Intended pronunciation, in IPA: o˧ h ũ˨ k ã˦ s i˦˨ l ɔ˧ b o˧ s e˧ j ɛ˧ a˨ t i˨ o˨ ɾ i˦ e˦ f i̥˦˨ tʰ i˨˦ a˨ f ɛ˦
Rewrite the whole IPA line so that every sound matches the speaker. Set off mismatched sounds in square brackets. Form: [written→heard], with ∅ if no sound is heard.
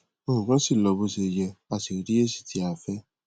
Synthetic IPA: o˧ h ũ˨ k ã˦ s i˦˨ l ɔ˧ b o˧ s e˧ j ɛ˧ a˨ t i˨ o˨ ɾ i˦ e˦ [f→s] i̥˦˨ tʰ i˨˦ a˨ f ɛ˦